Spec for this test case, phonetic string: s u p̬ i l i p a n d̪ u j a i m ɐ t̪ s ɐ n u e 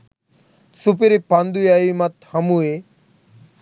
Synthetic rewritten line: s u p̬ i ɾ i p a n d̪ u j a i m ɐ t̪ h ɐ m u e